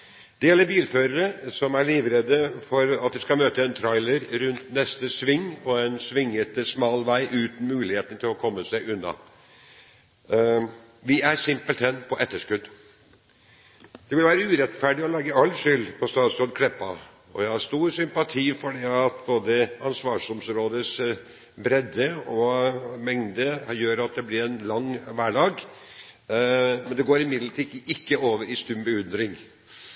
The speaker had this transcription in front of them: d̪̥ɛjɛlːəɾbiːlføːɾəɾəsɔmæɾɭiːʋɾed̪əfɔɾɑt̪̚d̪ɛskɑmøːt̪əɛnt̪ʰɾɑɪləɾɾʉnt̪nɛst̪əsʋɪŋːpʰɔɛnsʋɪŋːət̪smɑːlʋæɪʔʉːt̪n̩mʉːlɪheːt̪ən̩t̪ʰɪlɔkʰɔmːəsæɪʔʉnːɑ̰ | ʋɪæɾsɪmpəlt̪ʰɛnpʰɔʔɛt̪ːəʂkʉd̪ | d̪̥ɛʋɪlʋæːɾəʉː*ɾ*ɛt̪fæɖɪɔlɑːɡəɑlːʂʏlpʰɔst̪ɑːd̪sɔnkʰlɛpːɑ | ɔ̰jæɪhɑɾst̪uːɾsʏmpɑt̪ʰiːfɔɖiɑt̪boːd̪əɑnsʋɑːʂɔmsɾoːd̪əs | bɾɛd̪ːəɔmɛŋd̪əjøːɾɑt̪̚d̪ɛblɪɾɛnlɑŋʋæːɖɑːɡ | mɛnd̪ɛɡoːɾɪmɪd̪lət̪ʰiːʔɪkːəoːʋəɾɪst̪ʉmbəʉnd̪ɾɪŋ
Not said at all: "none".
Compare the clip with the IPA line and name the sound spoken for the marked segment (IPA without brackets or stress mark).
ɾ